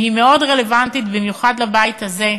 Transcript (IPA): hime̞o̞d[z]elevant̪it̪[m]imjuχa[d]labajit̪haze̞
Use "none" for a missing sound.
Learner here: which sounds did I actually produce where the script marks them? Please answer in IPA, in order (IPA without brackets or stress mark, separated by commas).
ʁ, b, d